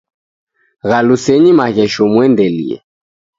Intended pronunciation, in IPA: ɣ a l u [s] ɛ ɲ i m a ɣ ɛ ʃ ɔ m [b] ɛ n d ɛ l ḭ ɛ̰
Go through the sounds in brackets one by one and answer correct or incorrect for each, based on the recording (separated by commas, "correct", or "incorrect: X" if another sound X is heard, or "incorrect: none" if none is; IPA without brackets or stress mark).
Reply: correct, incorrect: w